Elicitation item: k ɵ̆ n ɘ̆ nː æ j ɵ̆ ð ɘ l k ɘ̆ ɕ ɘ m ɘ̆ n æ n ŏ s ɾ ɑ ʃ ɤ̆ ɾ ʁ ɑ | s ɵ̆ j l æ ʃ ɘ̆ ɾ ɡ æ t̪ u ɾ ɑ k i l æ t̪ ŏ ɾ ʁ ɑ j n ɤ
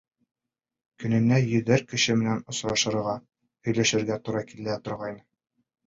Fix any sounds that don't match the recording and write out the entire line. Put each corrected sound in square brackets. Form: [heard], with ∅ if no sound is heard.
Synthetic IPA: k ɵ̆ n ɘ̆ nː æ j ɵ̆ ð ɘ [ɾ] k ɘ̆ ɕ ɘ m ɘ̆ n æ n ŏ s ɾ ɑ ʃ ɤ̆ ɾ ʁ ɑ | [h] ɵ̆ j l æ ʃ ɘ̆ ɾ ɡ æ t̪ u ɾ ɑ k i l æ t̪ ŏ ɾ ʁ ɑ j n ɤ